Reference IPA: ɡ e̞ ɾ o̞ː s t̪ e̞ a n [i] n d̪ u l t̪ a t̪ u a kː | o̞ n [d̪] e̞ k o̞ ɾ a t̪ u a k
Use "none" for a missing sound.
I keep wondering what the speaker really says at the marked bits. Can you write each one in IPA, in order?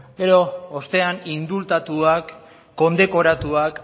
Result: i, d̪

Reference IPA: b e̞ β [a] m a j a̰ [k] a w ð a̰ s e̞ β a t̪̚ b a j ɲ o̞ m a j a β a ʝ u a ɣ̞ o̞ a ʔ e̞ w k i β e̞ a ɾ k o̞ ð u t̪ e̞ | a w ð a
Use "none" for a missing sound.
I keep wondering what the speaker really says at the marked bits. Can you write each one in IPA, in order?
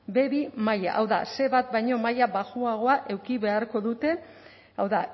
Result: i, ʔ

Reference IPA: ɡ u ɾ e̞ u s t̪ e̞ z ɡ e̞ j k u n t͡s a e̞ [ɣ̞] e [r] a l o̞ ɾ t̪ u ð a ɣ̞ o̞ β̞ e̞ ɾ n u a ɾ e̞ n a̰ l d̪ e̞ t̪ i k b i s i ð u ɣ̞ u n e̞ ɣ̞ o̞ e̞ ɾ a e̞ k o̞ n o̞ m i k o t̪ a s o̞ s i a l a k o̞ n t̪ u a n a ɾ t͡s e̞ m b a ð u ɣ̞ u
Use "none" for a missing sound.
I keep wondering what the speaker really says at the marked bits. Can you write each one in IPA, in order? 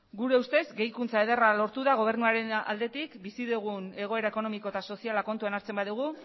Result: ð̞, r

